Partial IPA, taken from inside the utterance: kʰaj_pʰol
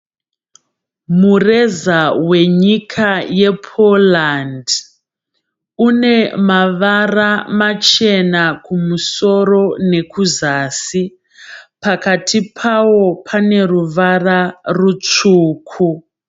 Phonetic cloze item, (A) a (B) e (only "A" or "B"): B